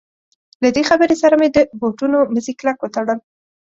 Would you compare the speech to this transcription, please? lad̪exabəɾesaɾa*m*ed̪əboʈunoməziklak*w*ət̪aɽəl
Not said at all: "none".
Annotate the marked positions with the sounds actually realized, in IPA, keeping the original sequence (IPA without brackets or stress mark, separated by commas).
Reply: m, w